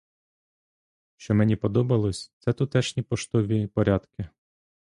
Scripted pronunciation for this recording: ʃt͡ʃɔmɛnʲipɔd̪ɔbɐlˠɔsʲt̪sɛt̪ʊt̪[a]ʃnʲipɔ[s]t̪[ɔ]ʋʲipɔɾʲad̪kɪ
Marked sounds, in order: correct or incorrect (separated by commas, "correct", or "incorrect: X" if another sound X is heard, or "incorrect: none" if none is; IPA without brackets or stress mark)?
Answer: incorrect: ɛ, incorrect: ʃ, correct